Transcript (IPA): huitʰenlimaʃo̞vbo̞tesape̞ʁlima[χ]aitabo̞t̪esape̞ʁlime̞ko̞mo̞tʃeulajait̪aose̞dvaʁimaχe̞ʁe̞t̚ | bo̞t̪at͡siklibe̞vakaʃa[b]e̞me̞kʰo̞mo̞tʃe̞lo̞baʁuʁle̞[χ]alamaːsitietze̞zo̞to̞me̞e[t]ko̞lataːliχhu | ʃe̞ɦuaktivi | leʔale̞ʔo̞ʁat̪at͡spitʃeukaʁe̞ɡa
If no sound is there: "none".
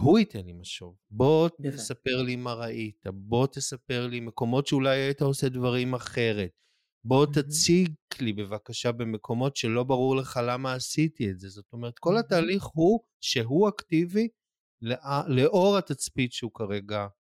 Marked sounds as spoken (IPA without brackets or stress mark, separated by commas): ʁ, b, χ, t